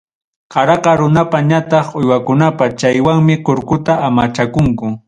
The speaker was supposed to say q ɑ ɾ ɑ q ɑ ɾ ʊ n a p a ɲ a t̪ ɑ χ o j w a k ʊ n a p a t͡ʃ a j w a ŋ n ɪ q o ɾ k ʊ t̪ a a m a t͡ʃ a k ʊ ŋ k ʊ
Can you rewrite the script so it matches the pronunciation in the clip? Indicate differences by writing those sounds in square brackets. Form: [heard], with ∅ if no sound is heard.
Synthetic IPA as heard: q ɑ ɾ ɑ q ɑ ɾ ʊ n a p a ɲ a t̪ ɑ χ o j w a k ʊ n a p a t͡ʃ a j w a ŋ [m] ɪ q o ɾ k ʊ t̪ a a m a t͡ʃ a k ʊ ŋ k ʊ